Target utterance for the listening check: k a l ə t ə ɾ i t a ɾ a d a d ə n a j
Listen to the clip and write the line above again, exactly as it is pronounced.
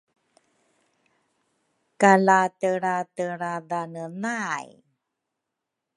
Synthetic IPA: k a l a t ə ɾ a t ə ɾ a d a n ə n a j